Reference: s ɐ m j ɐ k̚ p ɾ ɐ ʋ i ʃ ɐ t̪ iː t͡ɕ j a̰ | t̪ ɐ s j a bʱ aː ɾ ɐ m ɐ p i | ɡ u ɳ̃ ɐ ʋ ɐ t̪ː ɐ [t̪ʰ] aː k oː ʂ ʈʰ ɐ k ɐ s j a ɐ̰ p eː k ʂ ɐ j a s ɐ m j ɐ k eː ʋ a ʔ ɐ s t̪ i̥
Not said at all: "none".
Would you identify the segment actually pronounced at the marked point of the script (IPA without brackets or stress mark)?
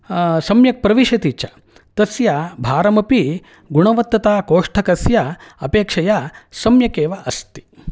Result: t̪